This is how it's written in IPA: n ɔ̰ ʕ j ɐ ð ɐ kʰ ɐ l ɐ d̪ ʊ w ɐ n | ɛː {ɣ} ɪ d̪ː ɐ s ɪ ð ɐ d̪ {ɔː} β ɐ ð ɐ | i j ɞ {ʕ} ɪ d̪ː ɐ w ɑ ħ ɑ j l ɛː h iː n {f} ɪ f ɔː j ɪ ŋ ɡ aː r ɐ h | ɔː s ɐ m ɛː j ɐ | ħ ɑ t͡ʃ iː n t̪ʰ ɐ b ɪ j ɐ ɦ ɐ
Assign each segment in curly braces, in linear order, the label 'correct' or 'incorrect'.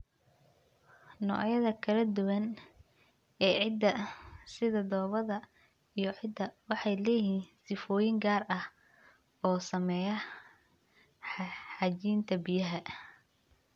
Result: incorrect: ʕ, correct, correct, incorrect: s

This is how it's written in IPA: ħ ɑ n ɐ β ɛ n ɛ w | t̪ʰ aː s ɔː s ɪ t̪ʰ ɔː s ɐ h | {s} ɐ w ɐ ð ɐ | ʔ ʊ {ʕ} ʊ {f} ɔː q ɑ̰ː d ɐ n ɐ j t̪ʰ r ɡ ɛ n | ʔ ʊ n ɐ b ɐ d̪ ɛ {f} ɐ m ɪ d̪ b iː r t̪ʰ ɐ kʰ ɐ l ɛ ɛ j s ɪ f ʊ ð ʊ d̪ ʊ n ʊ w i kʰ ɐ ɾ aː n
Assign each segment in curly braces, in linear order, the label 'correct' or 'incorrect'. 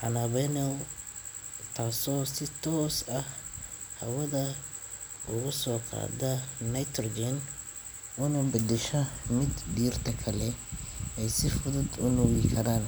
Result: incorrect: h, incorrect: ɣ, incorrect: s, incorrect: ʃ

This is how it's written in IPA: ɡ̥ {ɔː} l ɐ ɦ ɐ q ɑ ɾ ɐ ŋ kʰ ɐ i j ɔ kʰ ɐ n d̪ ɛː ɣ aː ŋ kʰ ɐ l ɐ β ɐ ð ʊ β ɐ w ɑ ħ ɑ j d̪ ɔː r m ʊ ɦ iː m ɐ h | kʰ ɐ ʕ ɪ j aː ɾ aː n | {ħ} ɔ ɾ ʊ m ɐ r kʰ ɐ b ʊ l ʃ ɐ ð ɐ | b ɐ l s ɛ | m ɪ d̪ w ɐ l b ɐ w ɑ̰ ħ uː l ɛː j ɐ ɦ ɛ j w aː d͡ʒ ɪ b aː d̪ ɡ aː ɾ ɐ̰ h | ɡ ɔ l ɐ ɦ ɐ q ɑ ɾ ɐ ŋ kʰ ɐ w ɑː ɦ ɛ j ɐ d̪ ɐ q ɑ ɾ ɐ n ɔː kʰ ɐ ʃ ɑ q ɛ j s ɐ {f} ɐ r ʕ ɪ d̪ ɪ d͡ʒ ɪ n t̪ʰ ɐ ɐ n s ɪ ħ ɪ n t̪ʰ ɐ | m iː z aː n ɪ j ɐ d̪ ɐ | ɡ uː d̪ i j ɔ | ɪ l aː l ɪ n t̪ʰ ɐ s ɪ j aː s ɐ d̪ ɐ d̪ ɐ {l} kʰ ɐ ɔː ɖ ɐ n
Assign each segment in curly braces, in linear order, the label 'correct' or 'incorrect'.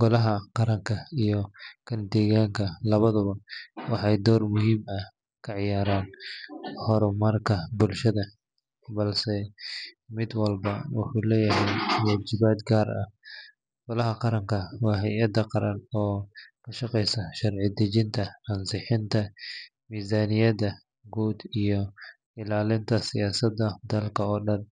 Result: incorrect: ɔ, incorrect: h, incorrect: ʃ, correct

